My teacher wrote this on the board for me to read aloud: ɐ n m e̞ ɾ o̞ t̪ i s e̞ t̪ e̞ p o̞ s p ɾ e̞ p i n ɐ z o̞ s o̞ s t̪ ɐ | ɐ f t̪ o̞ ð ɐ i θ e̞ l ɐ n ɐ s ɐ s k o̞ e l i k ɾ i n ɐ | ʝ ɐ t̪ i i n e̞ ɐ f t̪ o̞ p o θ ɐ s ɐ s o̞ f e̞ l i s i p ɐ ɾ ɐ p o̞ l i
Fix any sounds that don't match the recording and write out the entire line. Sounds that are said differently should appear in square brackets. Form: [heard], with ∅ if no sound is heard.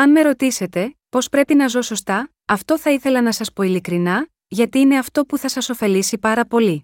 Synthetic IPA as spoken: ɐ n m e̞ ɾ o̞ t̪ i s e̞ t̪ e̞ p o̞ s p ɾ e̞ p i n ɐ z o̞ s o̞ s t̪ ɐ | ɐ f t̪ o̞ [θ] ɐ i θ e̞ l ɐ n ɐ s ɐ s [p] o̞ [i] l i k ɾ i n ɐ | ʝ ɐ t̪ i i n e̞ ɐ f t̪ o̞ p [u] θ ɐ s ɐ s o̞ f e̞ l i s i p ɐ ɾ ɐ p o̞ l i